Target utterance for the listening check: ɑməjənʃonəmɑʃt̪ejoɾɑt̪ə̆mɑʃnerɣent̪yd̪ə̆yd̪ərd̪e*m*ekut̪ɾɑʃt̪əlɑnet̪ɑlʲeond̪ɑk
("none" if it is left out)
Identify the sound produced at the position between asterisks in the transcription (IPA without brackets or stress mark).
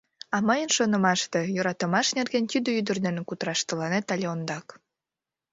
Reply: n